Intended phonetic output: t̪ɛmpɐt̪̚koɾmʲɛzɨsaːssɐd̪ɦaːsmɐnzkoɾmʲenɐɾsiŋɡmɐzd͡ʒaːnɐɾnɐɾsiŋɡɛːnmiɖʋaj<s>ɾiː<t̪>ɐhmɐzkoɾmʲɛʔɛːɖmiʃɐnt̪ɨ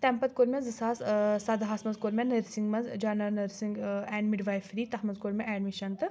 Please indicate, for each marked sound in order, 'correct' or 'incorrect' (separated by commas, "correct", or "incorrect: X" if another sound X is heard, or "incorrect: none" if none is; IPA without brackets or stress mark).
incorrect: f, correct